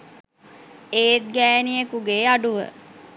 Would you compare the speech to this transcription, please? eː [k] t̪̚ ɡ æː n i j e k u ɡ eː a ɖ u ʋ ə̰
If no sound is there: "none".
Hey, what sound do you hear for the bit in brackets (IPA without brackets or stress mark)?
none